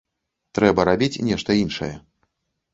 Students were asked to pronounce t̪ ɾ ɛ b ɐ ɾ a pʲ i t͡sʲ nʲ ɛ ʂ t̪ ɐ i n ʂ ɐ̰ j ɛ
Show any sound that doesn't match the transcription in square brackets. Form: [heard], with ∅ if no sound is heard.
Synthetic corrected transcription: t̪ ɾ ɛ b ɐ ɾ a [bʲ] i t͡sʲ nʲ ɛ ʂ t̪ ɐ i n ʂ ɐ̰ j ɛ